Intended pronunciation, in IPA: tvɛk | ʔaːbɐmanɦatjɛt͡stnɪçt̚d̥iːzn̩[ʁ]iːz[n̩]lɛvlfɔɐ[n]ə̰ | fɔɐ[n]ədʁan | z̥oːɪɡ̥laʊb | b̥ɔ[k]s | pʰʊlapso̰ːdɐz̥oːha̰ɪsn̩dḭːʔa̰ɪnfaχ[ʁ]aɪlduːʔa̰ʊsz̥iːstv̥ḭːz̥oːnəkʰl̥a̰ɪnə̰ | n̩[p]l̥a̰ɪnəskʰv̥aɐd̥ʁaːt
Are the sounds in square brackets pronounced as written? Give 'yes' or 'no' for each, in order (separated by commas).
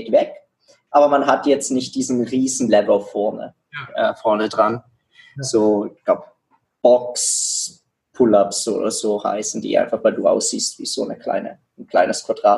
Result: yes, yes, yes, yes, yes, no, no